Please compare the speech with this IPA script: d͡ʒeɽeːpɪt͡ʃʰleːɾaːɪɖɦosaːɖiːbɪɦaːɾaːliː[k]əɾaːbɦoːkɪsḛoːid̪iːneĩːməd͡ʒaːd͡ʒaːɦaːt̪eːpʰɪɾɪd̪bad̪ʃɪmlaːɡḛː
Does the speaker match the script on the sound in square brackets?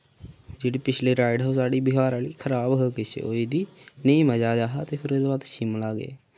no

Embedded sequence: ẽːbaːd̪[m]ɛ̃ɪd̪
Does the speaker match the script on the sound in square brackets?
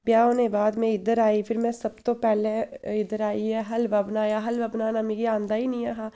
yes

